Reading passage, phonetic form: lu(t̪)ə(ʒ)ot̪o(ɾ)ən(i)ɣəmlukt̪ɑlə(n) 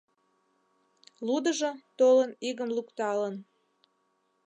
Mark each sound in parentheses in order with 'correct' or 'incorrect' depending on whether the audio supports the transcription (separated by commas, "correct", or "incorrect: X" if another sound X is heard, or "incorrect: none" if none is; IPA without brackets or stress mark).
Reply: incorrect: d̪, correct, incorrect: l, correct, correct